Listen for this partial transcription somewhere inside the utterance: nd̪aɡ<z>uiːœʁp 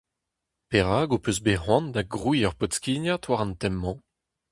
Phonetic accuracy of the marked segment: incorrect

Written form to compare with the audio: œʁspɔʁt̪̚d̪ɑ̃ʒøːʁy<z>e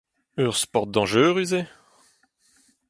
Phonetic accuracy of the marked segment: correct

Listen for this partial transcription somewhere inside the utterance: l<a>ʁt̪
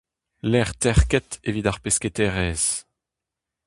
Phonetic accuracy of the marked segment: incorrect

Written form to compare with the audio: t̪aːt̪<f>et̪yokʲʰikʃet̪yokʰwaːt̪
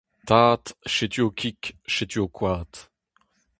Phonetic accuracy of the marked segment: incorrect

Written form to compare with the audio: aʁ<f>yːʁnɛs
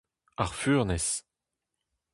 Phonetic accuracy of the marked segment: correct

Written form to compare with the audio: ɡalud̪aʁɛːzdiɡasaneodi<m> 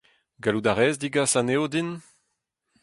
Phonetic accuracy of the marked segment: incorrect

